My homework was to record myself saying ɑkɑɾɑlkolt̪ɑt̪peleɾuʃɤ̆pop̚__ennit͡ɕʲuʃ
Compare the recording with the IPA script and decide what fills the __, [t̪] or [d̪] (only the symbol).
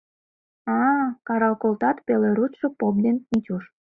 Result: d̪